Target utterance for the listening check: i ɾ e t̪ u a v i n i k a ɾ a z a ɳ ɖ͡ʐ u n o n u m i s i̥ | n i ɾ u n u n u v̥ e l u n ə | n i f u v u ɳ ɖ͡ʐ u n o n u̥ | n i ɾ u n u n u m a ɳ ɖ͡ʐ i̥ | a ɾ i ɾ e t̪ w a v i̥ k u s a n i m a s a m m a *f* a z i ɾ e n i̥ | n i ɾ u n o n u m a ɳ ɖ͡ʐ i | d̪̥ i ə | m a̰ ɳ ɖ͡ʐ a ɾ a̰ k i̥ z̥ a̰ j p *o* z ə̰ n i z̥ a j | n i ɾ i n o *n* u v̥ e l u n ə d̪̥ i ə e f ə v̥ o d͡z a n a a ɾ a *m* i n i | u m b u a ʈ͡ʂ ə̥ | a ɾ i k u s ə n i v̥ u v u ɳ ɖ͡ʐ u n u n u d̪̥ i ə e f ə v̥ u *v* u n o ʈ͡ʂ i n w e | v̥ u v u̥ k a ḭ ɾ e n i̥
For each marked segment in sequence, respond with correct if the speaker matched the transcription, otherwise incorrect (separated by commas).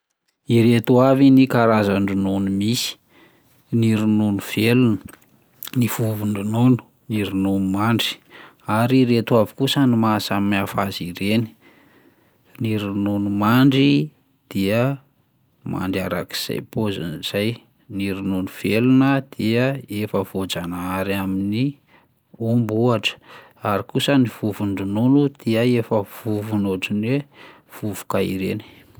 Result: correct, correct, correct, correct, correct